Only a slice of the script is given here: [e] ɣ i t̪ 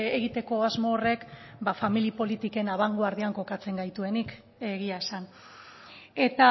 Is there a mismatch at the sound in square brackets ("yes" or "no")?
no